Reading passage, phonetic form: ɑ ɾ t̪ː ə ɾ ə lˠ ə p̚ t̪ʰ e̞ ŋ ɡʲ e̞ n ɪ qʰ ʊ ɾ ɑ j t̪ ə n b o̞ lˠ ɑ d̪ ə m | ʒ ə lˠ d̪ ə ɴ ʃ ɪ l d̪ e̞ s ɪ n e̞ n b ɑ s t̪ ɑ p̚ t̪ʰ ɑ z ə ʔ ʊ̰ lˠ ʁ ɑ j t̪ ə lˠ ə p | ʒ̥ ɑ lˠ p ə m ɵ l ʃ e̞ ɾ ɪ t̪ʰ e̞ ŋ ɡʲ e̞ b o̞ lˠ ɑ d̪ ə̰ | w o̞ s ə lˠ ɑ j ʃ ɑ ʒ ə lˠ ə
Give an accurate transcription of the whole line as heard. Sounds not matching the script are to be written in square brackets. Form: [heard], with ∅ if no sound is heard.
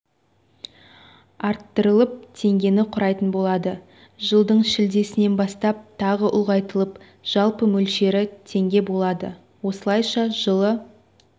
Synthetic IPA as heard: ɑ ɾ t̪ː ə ɾ ə lˠ ə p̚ t̪ʰ e̞ ŋ ɡʲ e̞ n ɪ qʰ ʊ ɾ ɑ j t̪ ə n b o̞ lˠ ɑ d̪ ə [∅] | ʒ ə lˠ d̪ ə ɴ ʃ ɪ l d̪ e̞ s ɪ n e̞ n b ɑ s t̪ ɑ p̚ t̪ʰ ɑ [ʁ] ə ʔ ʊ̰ lˠ ʁ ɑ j t̪ ə lˠ ə p | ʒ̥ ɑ lˠ p ə m ɵ l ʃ e̞ ɾ ɪ t̪ʰ e̞ ŋ ɡʲ e̞ b o̞ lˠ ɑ d̪ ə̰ | w o̞ s ə lˠ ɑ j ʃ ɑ ʒ ə lˠ ə

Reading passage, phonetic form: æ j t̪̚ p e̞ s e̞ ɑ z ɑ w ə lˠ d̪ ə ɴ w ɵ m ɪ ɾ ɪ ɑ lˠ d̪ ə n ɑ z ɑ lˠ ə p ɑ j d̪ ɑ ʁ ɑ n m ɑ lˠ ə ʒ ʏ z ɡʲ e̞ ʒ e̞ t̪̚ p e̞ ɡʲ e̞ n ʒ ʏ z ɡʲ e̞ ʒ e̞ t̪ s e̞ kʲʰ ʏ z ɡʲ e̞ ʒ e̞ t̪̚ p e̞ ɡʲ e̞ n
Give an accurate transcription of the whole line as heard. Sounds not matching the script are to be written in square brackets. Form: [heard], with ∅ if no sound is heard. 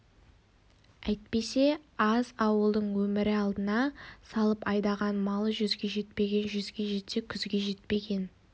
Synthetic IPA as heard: æ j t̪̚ p e̞ s e̞ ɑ z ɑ w ə lˠ d̪ ə ɴ w ɵ m ɪ ɾ ɪ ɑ lˠ d̪ ə n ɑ [s] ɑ lˠ ə p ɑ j d̪ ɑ ʁ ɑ n m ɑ lˠ ə ʒ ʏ z ɡʲ e̞ ʒ e̞ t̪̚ p e̞ ɡʲ e̞ n ʒ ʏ z ɡʲ e̞ ʒ e̞ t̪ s e̞ kʲʰ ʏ z ɡʲ e̞ ʒ e̞ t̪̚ p e̞ ɡʲ e̞ n

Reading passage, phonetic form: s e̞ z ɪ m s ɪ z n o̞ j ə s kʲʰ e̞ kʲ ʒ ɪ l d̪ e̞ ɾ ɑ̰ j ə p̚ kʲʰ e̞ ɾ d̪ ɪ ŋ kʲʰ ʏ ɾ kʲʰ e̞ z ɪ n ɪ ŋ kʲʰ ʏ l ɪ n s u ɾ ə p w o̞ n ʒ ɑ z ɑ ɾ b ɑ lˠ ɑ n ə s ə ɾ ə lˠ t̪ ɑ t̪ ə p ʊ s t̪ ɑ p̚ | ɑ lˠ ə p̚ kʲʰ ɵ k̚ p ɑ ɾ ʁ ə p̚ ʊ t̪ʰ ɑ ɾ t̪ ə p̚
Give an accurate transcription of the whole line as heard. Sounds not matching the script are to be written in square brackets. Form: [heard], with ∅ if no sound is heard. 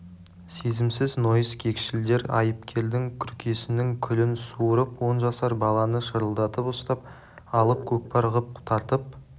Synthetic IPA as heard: s e̞ z ɪ m s ɪ z n o̞ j ə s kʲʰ e̞ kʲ [ʃ] ɪ l d̪ e̞ ɾ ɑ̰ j ə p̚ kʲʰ e̞ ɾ d̪ ɪ ŋ kʲʰ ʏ ɾ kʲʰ e̞ [s] ɪ n ɪ ŋ kʲʰ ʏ l ɪ n s u ɾ ə p w o̞ n ʒ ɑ [s] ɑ ɾ b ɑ lˠ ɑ n ə [ʃ] ə ɾ ə lˠ [d̪] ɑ t̪ ə p ʊ s t̪ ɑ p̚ | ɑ lˠ ə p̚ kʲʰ ɵ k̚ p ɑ ɾ ʁ ə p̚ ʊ t̪ʰ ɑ ɾ t̪ ə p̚

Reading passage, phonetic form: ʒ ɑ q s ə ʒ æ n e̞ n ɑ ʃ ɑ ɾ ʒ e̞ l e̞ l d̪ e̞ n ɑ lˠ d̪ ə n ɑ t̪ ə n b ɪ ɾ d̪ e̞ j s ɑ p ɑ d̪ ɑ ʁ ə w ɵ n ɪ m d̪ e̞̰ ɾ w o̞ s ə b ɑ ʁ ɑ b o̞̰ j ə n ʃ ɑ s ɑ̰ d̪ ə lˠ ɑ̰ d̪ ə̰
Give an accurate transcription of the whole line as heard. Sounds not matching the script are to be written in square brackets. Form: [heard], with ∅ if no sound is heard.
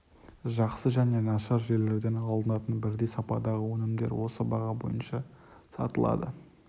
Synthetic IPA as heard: ʒ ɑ q s ə ʒ æ n e̞ n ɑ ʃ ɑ ɾ ʒ e̞ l e̞ [ɾ] d̪ e̞ n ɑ lˠ d̪ ə n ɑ t̪ ə n b ɪ ɾ d̪ e̞ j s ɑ p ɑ d̪ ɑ ʁ ə w ɵ n ɪ m d̪ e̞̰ ɾ w o̞ s ə b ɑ ʁ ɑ b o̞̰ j ə n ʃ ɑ s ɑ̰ [t̪] ə lˠ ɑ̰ d̪ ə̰

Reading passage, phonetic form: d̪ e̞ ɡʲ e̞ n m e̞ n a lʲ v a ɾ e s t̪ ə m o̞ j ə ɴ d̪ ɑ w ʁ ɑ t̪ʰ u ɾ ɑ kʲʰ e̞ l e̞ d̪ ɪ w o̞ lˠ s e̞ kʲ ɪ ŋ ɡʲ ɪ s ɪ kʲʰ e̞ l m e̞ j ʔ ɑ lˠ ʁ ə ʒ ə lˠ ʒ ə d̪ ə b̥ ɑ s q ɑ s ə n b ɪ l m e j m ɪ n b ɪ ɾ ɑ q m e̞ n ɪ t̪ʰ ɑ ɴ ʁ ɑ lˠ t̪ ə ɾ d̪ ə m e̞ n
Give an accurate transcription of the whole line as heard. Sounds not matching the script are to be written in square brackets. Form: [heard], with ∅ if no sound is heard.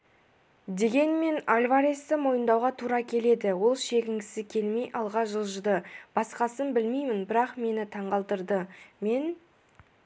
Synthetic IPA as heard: d̪ e̞ ɡʲ e̞ n m e̞ n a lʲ v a ɾ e s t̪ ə m o̞ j ə [n] d̪ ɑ w ʁ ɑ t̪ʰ u ɾ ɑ kʲʰ e̞ l e̞ d̪ ɪ w o̞ lˠ [ʃ] e̞ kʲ ɪ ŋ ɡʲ ɪ s ɪ kʲʰ e̞ l m e̞ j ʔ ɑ lˠ ʁ [ɑ] ʒ ə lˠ ʒ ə d̪ ə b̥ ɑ s q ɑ s ə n b ɪ l m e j m ɪ n b ɪ ɾ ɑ q m e̞ n ɪ t̪ʰ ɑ ɴ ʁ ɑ lˠ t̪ ə ɾ d̪ ə m e̞ n

